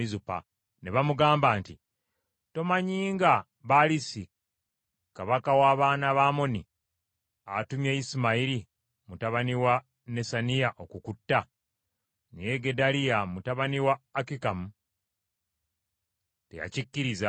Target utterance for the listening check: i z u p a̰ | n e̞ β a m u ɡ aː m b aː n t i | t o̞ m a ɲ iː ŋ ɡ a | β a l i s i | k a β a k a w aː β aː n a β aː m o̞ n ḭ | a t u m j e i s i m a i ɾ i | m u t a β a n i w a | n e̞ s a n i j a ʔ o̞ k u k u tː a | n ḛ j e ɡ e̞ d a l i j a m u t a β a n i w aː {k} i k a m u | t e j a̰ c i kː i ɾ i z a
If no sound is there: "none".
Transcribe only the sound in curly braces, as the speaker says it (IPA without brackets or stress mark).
k